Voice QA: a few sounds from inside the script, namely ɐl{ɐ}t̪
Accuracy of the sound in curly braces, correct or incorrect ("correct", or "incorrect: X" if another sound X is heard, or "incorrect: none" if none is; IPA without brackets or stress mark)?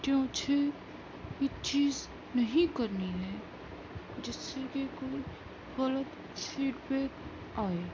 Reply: incorrect: ə